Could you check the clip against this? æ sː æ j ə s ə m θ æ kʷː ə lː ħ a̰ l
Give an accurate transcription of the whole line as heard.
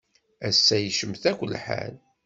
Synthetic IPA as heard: æ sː æ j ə ʃ ə m θ æ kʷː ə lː ħ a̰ l